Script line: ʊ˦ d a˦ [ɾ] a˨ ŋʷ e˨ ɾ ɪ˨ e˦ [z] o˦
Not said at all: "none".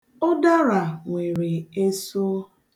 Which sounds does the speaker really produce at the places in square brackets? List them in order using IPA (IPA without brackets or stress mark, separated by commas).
ɾ, s